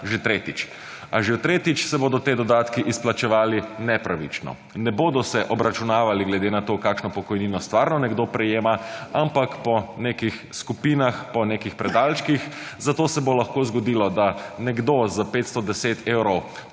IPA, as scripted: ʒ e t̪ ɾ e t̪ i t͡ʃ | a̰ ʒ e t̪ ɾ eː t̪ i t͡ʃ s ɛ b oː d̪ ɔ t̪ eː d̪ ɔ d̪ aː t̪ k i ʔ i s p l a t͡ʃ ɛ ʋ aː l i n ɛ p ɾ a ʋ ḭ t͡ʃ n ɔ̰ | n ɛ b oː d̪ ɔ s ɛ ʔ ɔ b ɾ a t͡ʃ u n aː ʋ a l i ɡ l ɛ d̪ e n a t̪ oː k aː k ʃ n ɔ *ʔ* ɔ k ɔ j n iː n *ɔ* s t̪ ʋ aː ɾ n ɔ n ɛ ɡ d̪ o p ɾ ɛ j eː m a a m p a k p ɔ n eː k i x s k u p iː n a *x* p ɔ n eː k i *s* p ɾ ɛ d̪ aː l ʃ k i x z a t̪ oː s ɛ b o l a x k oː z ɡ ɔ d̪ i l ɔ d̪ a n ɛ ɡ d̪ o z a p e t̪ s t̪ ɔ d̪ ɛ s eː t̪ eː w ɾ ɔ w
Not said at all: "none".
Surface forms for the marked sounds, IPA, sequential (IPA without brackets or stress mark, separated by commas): p, ɔ, x, x